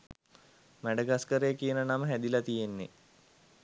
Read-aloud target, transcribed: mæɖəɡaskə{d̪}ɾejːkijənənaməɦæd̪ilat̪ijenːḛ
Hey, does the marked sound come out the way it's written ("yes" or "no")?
no